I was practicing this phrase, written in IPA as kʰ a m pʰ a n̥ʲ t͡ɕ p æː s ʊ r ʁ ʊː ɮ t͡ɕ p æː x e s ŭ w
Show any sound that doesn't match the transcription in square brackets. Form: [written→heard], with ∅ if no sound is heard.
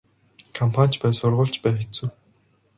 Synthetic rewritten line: kʰ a m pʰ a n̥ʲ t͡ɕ p æː s ʊ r ʁ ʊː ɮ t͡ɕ p æː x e [s→t͡s] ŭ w

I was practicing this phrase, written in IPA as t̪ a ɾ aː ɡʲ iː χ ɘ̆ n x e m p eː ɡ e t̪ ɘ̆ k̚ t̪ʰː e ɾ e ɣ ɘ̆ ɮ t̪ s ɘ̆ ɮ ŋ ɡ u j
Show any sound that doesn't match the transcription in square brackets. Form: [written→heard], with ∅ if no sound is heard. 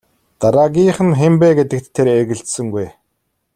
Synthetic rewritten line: t̪ a ɾ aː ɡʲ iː χ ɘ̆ n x e m p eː ɡ e t̪ ɘ̆ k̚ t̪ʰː e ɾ e ɣ ɘ̆ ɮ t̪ s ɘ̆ [ɮ→∅] ŋ ɡ u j

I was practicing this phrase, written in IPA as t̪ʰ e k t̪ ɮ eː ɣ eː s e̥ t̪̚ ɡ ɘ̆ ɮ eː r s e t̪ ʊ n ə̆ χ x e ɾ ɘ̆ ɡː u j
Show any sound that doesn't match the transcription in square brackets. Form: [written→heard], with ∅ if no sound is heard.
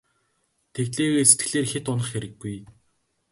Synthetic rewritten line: t̪ʰ e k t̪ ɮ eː ɣ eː s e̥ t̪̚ ɡ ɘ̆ ɮ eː r [s→x] e t̪ ʊ n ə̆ χ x e ɾ ɘ̆ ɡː u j

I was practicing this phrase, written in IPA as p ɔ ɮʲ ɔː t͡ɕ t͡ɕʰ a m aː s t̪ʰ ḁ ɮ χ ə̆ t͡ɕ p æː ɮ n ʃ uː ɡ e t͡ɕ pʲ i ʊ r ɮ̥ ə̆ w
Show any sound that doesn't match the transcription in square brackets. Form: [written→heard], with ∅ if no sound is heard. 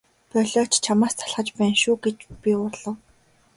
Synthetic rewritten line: p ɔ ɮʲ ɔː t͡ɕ t͡ɕʰ a m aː s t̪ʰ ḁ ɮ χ ə̆ t͡ɕ p æː [ɮ→∅] n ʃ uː ɡ e t͡ɕ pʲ i ʊ r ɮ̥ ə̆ w

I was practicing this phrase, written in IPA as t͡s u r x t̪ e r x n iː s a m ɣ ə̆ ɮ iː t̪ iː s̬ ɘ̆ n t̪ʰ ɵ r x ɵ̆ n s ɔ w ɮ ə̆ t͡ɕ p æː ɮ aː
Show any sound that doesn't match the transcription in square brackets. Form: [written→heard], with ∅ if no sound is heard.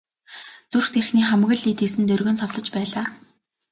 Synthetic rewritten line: t͡s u r x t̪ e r x n iː [s→χ] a m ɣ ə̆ ɮ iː t̪ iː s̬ ɘ̆ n [t̪ʰ→t̪] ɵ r [x→ɣ] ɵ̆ n s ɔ w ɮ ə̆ t͡ɕ p æː ɮ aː

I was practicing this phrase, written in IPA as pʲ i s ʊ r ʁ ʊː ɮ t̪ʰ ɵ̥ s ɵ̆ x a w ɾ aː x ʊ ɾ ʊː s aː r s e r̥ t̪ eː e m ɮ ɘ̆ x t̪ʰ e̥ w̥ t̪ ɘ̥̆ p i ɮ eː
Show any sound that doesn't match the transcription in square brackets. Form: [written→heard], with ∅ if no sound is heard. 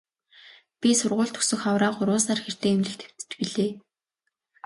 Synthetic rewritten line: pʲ i s ʊ r ʁ ʊː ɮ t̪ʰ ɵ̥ s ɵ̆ x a w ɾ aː [x→χ] ʊ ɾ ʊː s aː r [s→x] e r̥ t̪ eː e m ɮ ɘ̆ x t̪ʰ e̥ w̥ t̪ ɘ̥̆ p i ɮ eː

